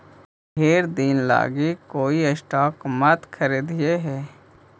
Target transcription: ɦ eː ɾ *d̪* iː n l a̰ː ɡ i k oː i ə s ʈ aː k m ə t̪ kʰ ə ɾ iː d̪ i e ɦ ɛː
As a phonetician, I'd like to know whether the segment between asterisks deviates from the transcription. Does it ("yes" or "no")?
no